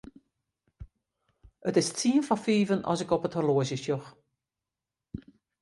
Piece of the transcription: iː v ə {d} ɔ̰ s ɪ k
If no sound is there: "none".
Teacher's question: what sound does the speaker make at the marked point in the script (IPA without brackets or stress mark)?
n